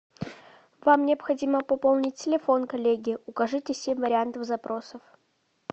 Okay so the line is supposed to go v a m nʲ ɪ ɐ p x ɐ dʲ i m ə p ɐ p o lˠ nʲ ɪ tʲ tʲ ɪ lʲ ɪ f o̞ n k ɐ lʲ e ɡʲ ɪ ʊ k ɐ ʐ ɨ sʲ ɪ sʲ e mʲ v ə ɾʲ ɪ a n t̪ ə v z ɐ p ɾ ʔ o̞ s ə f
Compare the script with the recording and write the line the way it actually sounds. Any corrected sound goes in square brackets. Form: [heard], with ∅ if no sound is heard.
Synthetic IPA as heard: v a m nʲ ɪ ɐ p x ɐ dʲ i m ə p ɐ p o lˠ nʲ ɪ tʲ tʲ ɪ lʲ ɪ f o̞ n k ɐ lʲ e ɡʲ ɪ ʊ k ɐ ʐ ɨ [tʲ] ɪ sʲ e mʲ v ə ɾʲ ɪ a n t̪ ə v z ɐ p ɾ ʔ o̞ s ə f